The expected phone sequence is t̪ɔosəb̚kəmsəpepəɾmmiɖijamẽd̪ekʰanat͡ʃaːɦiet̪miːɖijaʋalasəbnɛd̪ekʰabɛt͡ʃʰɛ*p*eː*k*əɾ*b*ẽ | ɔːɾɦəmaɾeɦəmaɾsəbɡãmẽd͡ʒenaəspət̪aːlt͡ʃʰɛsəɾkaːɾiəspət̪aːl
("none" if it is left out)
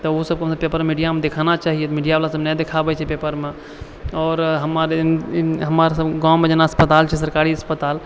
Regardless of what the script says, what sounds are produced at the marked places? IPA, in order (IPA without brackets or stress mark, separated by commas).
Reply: p, p, m